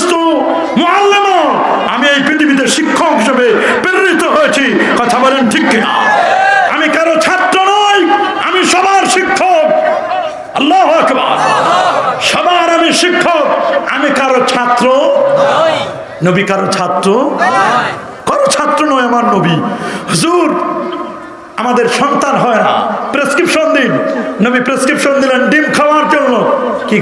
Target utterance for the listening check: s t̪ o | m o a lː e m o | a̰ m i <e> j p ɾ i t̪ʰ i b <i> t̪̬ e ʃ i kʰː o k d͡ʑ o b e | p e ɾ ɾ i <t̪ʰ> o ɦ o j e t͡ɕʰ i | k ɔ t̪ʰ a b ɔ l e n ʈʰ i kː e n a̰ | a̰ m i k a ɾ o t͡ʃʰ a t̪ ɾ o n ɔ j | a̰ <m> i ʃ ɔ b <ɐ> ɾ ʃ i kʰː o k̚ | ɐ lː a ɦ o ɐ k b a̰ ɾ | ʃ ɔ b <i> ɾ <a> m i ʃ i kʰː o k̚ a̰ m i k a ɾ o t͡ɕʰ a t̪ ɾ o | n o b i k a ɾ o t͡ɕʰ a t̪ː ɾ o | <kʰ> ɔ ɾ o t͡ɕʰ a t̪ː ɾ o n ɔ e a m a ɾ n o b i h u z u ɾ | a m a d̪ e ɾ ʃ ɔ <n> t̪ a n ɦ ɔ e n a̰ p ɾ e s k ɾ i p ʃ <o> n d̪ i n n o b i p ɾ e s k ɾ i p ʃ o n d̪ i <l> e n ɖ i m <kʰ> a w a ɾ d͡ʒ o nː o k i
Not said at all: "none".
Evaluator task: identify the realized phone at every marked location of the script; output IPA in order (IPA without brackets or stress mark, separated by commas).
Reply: e, i, t̪, m, a, a, a, k, n, o, l, kʰ